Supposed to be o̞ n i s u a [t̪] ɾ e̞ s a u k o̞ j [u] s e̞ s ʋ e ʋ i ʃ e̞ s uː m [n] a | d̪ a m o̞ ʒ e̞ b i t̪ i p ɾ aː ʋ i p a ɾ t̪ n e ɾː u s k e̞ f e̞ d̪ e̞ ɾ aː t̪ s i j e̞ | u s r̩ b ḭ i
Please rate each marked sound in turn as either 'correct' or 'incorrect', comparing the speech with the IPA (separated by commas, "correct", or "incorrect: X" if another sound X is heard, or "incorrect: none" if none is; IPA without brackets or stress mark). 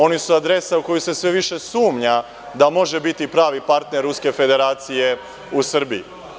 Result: incorrect: d̪, correct, incorrect: ɲ